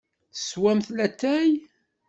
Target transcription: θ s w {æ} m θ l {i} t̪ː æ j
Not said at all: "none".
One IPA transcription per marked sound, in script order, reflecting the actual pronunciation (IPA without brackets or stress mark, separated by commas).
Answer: æ, æ